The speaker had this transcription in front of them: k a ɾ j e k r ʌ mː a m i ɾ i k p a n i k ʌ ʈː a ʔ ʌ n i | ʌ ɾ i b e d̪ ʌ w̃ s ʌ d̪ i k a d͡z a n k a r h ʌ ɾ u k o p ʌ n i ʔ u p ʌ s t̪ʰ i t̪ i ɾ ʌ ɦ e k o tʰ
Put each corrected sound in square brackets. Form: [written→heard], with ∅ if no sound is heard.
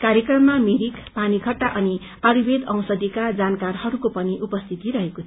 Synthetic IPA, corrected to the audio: k a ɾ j e k r ʌ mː a m i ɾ i k p a n i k ʌ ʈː a ʔ ʌ n i | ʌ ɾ i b e d̪ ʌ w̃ s ʌ d̪ i k a d͡z a n k a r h ʌ ɾ u k o p ʌ n i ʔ u p ʌ s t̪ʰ i t̪ i ɾ ʌ ɦ e k o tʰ